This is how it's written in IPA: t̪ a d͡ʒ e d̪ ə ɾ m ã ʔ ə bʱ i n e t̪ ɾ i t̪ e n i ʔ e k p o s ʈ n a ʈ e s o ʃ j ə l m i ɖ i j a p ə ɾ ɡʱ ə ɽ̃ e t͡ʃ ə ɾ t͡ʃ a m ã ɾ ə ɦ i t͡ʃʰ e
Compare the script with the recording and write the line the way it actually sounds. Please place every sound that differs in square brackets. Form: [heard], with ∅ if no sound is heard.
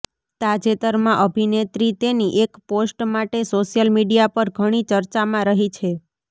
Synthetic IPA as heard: t̪ a d͡ʒ e [t̪] ə ɾ m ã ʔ ə bʱ i n e t̪ ɾ i t̪ e n i ʔ e k p o s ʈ [m] a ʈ e s o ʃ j ə l m i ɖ i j a p ə ɾ ɡʱ ə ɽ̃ [i] t͡ʃ ə ɾ t͡ʃ a m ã ɾ ə ɦ i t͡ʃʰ e

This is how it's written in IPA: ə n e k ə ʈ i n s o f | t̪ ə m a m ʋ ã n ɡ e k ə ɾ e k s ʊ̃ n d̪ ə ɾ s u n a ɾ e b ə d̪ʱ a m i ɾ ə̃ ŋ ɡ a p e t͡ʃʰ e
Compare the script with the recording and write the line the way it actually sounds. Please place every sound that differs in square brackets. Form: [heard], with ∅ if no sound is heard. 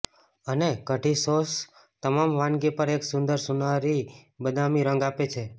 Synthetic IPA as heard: ə n e k ə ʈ i [∅] s o [s] | t̪ ə m a m ʋ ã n ɡ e [p] ə ɾ e k s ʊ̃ n d̪ ə ɾ s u n a ɾ [i] b ə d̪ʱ a m i ɾ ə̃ ŋ ɡ a p e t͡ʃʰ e

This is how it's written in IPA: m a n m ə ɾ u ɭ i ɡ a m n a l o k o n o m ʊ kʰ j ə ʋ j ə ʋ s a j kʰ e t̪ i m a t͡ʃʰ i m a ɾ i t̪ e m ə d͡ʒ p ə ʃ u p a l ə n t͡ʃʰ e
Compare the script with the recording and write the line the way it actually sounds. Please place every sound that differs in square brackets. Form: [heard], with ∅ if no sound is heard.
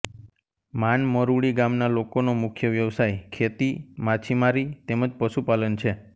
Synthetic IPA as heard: m a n m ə ɾ u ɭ i ɡ a m n a l o k o n o m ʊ kʰ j ə ʋ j ə ʋ s a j kʰ e t̪ i m a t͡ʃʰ i m a ɾ i t̪ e m ə d͡ʒ p ə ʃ u p a l ə n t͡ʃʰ e

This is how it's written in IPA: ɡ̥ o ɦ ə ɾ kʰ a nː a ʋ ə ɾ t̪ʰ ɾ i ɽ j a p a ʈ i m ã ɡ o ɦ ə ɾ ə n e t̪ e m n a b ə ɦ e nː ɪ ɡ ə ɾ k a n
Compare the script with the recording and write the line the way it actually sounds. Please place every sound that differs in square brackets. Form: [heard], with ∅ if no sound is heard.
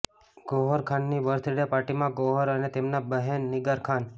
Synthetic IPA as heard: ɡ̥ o ɦ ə ɾ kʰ a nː [i] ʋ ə ɾ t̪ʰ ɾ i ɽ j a p a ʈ i m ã ɡ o ɦ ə ɾ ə n e t̪ e m n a b ə ɦ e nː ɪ ɡ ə ɾ [kʰ] a n

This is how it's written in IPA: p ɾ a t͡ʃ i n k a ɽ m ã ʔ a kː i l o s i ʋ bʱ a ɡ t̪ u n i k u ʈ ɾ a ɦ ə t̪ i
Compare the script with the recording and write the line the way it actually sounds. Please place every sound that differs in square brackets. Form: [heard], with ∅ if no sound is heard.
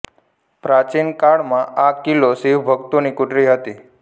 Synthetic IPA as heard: p ɾ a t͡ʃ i n k a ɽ m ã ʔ a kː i l o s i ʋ bʱ [ə] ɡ t̪ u n i k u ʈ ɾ [i] ɦ ə t̪ i

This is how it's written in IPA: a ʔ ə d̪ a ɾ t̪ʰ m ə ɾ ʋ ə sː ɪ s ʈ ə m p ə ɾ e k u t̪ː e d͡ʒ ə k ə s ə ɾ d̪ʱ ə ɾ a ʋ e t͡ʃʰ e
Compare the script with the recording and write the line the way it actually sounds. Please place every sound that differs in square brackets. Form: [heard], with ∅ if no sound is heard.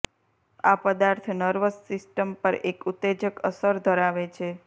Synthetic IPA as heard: a [p] ə d̪ a ɾ t̪ʰ [n] ə ɾ ʋ ə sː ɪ s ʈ ə m p ə ɾ e k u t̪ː e d͡ʒ ə k ə s ə ɾ d̪ʱ ə ɾ a ʋ e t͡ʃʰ e

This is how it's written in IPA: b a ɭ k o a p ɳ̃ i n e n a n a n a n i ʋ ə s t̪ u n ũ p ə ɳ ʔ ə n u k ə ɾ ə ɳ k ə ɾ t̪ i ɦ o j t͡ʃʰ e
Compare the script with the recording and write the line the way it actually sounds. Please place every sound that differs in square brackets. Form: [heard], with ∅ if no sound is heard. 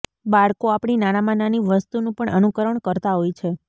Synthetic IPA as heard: b a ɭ k o a p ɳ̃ i n [a] n a [m] a n a n i ʋ ə s t̪ u n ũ p ə ɳ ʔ ə n u k ə ɾ ə ɳ k ə ɾ t̪ [a] ɦ o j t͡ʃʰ e

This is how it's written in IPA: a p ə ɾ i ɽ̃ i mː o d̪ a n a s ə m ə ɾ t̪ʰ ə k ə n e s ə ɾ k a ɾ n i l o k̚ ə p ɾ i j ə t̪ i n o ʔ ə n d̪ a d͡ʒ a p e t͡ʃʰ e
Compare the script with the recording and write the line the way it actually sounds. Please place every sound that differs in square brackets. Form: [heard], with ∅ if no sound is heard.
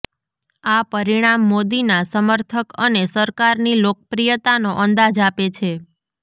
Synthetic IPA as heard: a p ə ɾ i ɽ̃ [a] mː o d̪ [i] n a s ə m ə ɾ t̪ʰ ə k ə n e s ə ɾ k a ɾ n i l o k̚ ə p ɾ i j ə t̪ [a] n o ʔ ə n d̪ a d͡ʒ a p e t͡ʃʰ e

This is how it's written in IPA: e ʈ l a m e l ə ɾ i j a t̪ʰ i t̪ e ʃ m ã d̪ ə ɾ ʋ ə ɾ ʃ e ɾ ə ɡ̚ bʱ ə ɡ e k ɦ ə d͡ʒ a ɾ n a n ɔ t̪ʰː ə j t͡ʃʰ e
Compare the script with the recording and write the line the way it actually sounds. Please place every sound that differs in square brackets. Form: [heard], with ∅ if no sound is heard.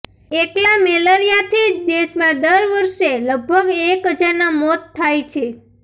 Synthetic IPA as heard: e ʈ l a m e l ə ɾ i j a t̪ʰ i [d̪] e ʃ m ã d̪ ə ɾ ʋ ə ɾ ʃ e [l] ə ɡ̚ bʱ ə ɡ e k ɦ ə d͡ʒ a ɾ n a [m] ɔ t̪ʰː [a] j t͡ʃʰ e

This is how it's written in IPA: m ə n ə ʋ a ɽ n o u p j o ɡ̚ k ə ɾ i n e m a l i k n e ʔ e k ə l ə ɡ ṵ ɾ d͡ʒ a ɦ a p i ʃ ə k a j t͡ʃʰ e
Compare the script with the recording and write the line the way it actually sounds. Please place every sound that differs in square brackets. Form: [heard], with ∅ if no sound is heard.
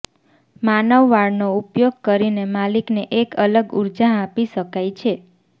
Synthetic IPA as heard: m [a] n ə [ʋː] a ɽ n o u p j o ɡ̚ k ə ɾ i n e m a l i k n e ʔ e k ə l ə ɡ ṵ ɾ d͡ʒ a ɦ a p i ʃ ə k a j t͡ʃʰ e

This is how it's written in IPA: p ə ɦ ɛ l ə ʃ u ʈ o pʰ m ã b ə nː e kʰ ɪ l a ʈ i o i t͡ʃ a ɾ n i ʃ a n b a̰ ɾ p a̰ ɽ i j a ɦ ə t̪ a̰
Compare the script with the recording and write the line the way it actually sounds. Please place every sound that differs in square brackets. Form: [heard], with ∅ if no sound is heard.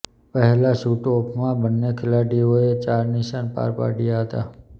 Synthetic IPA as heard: p ə ɦ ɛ l [a] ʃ u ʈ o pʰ m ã b ə nː e kʰ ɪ l a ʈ i o [e] t͡ʃ a ɾ n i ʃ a n [p] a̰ ɾ p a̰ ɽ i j a ɦ ə t̪ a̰

